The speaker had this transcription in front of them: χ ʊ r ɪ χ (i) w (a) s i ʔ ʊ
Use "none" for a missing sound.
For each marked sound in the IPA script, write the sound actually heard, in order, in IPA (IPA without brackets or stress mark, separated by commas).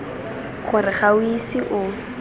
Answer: a, i